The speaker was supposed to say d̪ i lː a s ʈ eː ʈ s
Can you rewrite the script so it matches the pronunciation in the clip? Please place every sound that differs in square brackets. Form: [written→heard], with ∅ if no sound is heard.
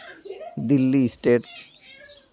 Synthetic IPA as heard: d̪ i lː [a→i] s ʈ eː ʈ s